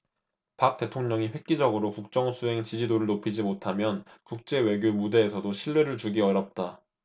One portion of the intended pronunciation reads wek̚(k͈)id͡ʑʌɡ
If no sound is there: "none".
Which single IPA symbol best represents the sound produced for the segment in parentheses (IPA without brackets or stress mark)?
k͈